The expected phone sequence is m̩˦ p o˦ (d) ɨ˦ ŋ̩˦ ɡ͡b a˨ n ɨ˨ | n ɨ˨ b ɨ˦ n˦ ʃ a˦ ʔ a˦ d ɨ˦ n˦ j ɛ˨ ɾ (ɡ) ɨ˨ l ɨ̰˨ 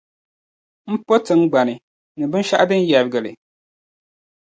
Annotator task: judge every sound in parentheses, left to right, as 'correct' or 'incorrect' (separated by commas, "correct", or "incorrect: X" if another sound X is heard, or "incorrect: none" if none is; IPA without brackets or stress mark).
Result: incorrect: t, correct